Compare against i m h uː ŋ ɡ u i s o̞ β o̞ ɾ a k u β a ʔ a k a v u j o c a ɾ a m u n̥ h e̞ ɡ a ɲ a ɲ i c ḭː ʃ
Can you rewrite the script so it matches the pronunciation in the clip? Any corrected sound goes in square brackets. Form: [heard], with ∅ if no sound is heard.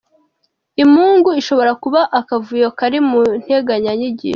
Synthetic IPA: i m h uː ŋ ɡ u i [ʃ] o̞ β o̞ ɾ a k u β a ʔ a k a v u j o [k] a ɾ [i] m u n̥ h e̞ ɡ a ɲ a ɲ i [ɟ] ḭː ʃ

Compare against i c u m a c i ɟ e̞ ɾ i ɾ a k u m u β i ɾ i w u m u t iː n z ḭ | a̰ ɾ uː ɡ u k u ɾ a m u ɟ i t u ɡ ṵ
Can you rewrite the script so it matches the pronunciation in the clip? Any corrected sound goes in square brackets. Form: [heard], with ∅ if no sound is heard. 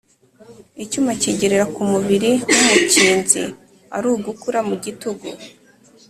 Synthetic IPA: i c u m a c i ɟ e̞ ɾ [e] ɾ a k u m u β i ɾ i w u m u [c] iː n z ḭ | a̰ ɾ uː ɡ u k u ɾ a m u ɟ i t u ɡ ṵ

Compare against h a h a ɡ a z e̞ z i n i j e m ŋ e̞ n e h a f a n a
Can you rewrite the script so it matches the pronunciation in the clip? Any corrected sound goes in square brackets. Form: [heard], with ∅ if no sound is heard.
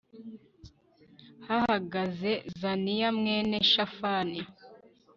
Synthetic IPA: h a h a ɡ a z e̞ z [a] n i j [a] m ŋ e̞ n e [ʃ] a f a n [i]

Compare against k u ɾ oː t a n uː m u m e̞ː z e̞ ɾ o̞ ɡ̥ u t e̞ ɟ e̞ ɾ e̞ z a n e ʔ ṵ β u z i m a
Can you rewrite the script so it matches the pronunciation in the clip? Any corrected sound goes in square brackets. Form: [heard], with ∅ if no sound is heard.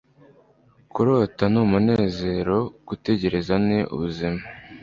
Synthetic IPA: k u ɾ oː t a n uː m u [n] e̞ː z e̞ ɾ o̞ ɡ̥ u t e̞ ɟ e̞ ɾ e̞ z a n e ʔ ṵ β u z i m a

